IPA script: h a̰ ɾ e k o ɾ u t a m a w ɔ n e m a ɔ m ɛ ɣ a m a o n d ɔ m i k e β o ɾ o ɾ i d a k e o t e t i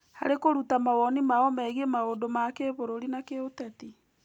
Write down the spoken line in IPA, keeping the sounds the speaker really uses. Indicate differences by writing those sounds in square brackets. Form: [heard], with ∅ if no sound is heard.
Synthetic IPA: h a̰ ɾ e k o ɾ u t a m a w ɔ n [i] m a ɔ m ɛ ɣ [e] m a o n d [o] m [a] k e β o ɾ o ɾ i [n] a k e o t [ɛ] t i